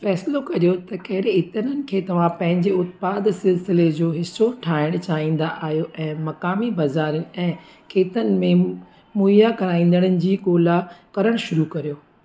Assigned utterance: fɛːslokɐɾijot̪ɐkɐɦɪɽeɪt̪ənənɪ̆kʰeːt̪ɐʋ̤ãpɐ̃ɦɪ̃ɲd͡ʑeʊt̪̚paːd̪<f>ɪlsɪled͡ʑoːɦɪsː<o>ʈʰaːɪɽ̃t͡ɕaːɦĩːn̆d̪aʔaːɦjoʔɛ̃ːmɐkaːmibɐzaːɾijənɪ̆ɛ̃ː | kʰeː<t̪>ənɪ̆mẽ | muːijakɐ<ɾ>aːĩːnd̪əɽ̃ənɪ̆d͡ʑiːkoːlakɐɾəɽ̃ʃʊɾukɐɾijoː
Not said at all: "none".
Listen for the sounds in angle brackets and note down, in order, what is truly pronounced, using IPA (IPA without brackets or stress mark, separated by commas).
s, o, t̪, ɾ